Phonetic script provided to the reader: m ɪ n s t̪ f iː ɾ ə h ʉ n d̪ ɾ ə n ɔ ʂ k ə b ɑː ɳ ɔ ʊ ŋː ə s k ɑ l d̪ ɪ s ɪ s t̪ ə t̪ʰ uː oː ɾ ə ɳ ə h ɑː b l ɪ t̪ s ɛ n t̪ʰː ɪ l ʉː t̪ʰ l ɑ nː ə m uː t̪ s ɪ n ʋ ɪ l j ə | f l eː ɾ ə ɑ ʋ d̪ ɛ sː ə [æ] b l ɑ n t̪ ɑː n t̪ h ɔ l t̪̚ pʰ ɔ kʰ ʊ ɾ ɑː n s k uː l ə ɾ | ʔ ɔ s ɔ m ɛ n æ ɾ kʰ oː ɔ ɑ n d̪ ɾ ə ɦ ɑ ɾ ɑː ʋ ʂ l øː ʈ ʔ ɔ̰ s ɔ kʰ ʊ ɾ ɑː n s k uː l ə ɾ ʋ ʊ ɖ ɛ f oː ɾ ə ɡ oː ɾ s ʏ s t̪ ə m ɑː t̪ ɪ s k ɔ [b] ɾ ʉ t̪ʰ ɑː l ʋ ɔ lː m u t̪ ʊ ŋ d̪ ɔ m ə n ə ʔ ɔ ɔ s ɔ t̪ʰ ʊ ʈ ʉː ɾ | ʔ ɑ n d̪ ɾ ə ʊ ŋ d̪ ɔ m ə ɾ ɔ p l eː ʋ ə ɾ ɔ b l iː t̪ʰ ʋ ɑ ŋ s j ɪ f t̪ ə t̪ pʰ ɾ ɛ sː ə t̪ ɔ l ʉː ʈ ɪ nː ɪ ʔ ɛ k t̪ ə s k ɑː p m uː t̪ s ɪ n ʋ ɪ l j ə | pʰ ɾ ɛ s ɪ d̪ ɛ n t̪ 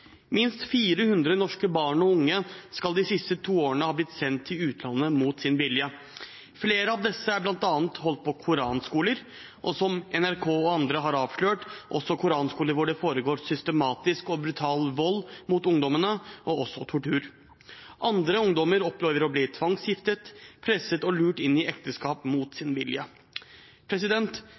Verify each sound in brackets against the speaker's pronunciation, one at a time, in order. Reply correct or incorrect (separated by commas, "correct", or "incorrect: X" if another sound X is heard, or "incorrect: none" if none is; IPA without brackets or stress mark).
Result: correct, correct